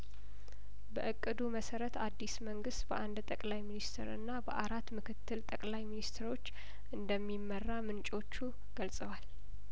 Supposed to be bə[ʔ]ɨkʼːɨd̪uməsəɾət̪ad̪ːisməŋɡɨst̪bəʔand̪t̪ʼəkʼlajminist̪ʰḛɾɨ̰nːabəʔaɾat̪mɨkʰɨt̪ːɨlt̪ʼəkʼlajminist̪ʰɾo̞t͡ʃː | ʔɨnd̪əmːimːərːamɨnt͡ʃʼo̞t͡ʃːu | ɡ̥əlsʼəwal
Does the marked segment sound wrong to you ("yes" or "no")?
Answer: no